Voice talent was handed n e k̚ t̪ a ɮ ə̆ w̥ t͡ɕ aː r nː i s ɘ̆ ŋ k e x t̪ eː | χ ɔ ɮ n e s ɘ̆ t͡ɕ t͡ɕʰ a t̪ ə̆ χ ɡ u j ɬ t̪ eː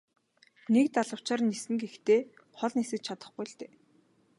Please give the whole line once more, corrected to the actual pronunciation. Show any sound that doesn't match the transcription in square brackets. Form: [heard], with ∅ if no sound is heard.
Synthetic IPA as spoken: n e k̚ t̪ a ɮ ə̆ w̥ t͡ɕ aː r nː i s ɘ̆ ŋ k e x t̪ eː | χ ɔ ɮ n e s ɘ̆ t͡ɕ t͡ɕʰ a t̪ ə̆ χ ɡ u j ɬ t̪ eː